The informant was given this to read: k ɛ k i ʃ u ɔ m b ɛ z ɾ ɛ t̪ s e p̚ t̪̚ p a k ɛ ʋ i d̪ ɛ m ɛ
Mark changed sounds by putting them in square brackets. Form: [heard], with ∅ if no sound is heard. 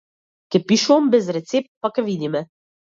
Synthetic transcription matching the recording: k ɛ [p] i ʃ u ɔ m b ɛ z ɾ ɛ t̪ s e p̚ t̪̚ p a k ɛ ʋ i d̪ [i] m ɛ

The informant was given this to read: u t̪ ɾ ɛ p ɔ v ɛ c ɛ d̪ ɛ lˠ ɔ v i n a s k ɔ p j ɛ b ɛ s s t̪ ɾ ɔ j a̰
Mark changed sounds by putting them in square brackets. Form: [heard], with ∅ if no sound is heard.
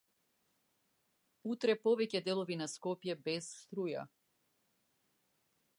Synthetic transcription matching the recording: u t̪ ɾ ɛ p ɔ v ɛ c ɛ d̪ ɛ lˠ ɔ v i n a s k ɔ p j ɛ b ɛ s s t̪ ɾ [u] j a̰

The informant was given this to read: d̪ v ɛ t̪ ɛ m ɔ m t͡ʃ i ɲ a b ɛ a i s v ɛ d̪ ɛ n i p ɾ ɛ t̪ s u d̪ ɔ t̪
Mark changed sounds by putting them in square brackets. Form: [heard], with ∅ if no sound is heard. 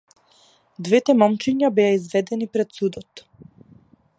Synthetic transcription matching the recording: d̪ v ɛ t̪ ɛ m ɔ m t͡ʃ i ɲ a b ɛ a i [z] v ɛ d̪ ɛ n i p ɾ ɛ t̪ s u d̪ ɔ t̪

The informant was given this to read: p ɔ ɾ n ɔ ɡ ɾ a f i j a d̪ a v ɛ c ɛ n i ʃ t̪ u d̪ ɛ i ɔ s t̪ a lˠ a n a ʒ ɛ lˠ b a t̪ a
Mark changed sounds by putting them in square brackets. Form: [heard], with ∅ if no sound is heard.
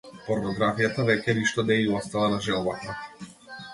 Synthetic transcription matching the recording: p ɔ ɾ n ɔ ɡ ɾ a f i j a [t̪] a v ɛ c ɛ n i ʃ t̪ [ɔ] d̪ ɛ i ɔ s t̪ a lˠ a n a ʒ ɛ lˠ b a t̪ a

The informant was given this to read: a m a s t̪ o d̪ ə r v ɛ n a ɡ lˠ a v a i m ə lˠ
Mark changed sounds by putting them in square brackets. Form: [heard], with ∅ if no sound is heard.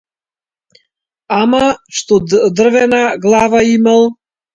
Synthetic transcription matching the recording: a m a [ʃ] t̪ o d̪ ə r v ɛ n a ɡ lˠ a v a i m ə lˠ

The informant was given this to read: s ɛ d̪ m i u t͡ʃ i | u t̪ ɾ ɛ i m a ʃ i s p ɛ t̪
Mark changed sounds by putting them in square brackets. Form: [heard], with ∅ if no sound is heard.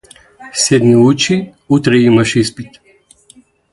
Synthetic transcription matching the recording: s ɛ d̪ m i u t͡ʃ i | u t̪ ɾ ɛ i m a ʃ i s p [i] t̪

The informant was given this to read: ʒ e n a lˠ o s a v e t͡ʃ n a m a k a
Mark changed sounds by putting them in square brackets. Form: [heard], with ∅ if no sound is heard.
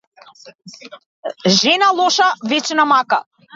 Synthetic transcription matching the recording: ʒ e n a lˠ o [ʃ] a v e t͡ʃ n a m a k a

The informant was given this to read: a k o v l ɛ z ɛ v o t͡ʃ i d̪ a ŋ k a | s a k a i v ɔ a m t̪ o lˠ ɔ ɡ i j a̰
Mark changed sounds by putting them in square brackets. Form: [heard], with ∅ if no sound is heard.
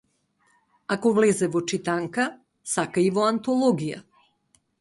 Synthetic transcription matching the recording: a k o v l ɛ z ɛ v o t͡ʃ i [t̪] a ŋ k a | s a k a i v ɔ a [n] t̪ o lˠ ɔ ɡ i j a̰

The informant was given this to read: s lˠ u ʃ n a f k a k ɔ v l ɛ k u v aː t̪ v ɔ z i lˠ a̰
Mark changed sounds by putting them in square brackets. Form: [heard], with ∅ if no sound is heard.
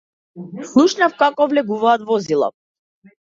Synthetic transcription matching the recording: s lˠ u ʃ n a f k a k ɔ v l ɛ [ɡ] u v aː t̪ v ɔ z i lˠ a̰

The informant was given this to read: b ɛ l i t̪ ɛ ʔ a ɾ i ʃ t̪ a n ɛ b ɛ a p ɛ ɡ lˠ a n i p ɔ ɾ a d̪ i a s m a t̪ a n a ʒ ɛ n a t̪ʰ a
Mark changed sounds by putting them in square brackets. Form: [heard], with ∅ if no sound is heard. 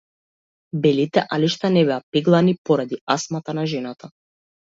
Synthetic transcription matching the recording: b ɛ l i t̪ ɛ ʔ a [l] i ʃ t̪ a n ɛ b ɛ a p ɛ ɡ lˠ a n i p ɔ ɾ a d̪ i a s m a t̪ a n a ʒ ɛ n a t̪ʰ a

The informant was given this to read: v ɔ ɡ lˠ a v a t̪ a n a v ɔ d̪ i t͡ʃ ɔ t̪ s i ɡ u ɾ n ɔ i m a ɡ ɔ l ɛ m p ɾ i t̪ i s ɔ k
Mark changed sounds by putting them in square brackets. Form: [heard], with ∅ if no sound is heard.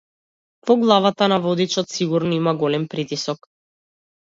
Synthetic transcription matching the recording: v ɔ ɡ lˠ a v a t̪ a n a v ɔ d̪ i t͡ʃ ɔ t̪ s i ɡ u ɾ n ɔ i m a ɡ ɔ l ɛ m p ɾ i t̪ i s ɔ k

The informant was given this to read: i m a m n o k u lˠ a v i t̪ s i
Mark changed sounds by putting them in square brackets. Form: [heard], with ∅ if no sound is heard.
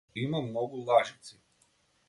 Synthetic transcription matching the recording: i m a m n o [ɡ] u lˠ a [ʒ] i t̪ s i

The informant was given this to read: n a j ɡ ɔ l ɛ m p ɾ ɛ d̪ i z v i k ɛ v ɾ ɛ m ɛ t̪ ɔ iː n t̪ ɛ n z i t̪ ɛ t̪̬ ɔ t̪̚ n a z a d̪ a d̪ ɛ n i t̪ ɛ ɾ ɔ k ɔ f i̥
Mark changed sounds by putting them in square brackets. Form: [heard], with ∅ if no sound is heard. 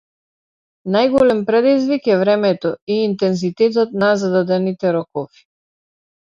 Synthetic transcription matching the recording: n a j ɡ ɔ l ɛ m p ɾ ɛ d̪ i z v i k ɛ v ɾ ɛ m ɛ t̪ ɔ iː n t̪ ɛ n z i t̪ ɛ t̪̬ ɔ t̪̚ n a z a d̪ a d̪ ɛ n i t̪ ɛ ɾ ɔ k ɔ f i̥

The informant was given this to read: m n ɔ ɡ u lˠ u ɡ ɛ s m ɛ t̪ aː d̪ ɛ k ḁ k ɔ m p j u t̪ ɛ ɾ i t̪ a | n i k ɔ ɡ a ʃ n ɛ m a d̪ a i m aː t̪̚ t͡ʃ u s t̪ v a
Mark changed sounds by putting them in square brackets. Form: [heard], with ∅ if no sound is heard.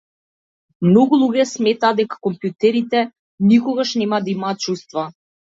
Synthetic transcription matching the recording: m n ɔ ɡ u lˠ u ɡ ɛ s m ɛ t̪ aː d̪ ɛ k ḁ k ɔ m p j u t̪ ɛ ɾ i t̪ [ɛ] | n i k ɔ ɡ a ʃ n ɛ m a d̪ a i m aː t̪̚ t͡ʃ u s t̪ v a

